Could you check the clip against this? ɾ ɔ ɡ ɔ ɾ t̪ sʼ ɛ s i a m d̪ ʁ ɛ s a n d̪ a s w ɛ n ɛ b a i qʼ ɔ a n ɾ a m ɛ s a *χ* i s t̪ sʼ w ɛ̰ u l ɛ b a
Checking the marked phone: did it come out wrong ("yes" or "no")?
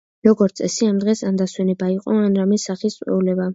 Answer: no